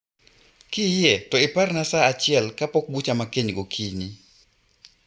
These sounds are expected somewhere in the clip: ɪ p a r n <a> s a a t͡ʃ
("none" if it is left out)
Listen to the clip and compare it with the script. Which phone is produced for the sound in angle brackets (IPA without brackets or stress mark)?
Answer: a